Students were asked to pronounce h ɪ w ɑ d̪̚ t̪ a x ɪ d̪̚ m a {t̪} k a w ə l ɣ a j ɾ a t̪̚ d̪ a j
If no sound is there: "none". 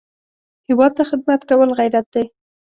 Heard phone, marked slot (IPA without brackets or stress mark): t̪